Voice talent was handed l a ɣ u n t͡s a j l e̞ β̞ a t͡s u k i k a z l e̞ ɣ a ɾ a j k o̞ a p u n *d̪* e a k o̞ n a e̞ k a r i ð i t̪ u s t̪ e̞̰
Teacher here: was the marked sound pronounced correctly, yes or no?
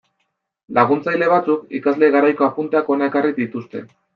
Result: no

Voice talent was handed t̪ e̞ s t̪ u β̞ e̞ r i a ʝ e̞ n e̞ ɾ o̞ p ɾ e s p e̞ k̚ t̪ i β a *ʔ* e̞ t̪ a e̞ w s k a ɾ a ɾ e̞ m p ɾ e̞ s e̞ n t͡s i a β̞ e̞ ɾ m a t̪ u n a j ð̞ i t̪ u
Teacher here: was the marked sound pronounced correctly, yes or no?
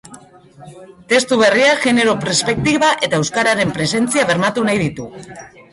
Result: yes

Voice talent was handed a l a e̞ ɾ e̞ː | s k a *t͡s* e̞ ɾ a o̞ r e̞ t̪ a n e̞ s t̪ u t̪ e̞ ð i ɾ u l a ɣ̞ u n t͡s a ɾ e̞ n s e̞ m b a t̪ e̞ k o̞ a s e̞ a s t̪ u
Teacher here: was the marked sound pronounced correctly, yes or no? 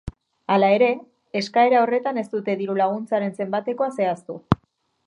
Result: no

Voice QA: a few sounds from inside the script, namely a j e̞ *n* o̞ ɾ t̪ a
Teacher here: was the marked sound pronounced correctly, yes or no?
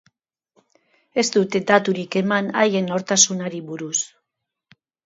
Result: yes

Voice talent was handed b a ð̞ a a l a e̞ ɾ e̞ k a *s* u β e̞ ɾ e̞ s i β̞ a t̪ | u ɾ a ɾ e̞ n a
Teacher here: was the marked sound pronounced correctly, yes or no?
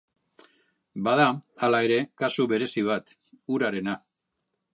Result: yes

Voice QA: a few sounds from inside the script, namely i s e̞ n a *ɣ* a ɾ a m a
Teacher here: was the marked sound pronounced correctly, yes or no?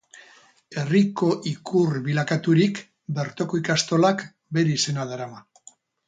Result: no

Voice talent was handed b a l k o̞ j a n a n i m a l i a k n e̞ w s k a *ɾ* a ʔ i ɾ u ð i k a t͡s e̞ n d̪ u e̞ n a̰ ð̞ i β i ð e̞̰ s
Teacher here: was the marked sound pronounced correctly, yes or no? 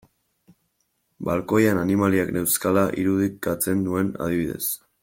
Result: no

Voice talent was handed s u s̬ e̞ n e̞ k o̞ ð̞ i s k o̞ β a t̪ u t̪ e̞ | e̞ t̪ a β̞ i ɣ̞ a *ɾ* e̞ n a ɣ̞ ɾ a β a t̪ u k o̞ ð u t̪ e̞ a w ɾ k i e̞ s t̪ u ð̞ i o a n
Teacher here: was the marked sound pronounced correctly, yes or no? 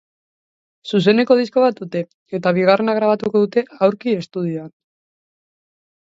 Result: no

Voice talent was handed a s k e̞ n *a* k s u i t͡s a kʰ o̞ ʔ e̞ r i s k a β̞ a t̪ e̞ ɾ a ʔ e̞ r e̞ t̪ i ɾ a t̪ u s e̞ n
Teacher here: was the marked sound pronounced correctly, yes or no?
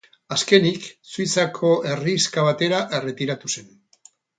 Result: no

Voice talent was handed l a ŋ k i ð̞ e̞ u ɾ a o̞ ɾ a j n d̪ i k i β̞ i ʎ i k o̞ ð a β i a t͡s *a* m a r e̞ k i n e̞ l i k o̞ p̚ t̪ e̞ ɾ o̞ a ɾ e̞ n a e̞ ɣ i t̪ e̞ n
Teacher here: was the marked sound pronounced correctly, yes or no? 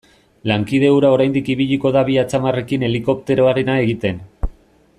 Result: yes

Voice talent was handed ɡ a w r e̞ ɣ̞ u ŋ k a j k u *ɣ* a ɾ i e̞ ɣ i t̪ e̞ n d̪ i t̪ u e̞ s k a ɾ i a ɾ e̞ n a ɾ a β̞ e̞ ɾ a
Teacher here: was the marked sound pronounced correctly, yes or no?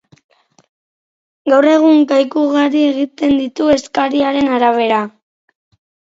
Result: yes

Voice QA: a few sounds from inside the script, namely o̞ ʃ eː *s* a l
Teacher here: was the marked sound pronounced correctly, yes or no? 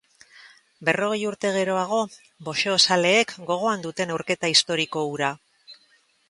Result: yes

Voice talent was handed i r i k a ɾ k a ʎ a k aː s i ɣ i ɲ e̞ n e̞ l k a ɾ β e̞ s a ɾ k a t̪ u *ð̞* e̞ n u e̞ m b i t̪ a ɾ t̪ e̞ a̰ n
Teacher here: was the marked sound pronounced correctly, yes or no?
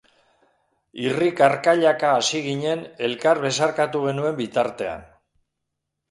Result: no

